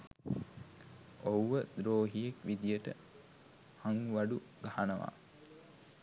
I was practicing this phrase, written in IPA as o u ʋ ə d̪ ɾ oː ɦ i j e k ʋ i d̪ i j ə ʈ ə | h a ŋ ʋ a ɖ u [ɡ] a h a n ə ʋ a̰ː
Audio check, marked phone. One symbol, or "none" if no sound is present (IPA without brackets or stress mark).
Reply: ɡ